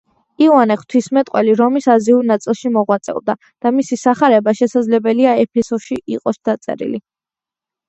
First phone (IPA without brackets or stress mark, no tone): i